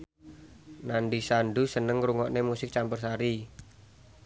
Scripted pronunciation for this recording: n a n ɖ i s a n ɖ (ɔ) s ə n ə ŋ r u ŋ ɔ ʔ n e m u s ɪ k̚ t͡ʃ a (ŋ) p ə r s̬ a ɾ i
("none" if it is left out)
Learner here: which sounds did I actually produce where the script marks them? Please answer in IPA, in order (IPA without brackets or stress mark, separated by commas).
u, m